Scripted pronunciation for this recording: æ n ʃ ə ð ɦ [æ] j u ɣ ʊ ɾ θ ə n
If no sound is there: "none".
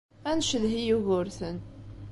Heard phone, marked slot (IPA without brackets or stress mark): i